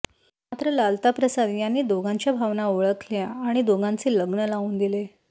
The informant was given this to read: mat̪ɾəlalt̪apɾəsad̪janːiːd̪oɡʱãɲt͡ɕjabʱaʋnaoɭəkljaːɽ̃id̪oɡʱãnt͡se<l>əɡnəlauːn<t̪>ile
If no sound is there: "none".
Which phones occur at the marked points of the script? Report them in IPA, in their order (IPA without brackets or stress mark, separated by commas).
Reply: l, d̪